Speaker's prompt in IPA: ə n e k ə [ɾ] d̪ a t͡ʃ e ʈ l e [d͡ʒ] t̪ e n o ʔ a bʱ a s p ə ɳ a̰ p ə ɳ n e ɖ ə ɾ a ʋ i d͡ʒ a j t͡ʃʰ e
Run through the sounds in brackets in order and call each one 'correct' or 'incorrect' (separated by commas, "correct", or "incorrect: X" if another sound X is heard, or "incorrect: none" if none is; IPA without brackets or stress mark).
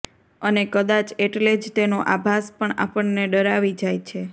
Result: incorrect: none, correct